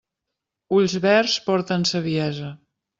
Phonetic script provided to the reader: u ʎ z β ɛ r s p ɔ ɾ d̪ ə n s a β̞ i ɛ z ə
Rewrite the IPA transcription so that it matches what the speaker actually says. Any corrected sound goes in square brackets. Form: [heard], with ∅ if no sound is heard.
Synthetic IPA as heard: u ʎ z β ɛ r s p ɔ ɾ [t̪] ə n s [ə] β̞ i ɛ z ə